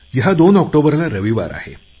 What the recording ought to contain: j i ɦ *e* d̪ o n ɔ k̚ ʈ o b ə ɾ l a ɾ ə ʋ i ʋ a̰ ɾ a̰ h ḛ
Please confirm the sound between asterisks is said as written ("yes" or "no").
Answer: no